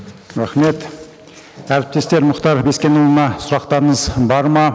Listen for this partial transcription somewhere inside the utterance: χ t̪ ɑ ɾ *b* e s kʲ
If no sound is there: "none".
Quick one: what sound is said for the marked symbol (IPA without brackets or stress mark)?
b